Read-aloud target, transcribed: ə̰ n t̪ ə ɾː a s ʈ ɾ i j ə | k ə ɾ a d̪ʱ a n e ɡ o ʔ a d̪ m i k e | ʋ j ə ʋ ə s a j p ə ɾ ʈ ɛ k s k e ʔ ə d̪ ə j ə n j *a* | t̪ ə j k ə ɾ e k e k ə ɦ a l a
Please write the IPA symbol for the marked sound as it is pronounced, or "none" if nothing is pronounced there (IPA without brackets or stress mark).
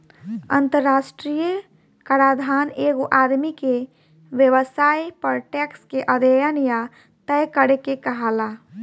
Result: a